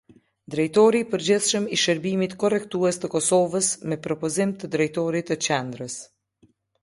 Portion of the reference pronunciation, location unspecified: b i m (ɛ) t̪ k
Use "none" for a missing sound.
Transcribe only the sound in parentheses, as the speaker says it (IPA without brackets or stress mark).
i